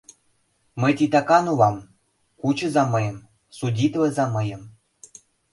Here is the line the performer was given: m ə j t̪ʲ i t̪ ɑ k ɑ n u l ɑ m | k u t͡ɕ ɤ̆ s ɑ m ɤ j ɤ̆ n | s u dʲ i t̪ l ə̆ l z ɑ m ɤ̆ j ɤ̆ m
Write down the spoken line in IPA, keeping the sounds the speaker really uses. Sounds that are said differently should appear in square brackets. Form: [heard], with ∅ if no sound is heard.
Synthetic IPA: m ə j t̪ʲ i t̪ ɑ k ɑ n u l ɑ m | k u t͡ɕ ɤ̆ [z] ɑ m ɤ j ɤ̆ [m] | s u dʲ i t̪ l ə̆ [∅] z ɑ m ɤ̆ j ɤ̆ m